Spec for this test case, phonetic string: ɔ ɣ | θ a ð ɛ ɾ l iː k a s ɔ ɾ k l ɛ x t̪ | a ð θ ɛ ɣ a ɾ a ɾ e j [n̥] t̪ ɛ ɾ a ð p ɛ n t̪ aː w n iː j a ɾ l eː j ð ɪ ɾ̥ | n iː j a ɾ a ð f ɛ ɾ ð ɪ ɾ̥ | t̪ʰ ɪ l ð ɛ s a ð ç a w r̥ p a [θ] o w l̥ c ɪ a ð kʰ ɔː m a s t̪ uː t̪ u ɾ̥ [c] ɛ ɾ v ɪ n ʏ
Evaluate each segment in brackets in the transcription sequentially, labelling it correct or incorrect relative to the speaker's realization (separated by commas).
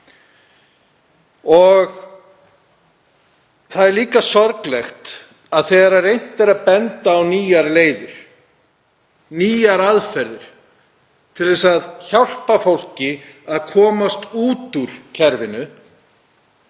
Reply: correct, incorrect, incorrect